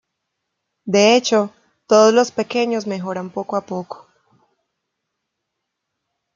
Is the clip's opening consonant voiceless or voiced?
voiced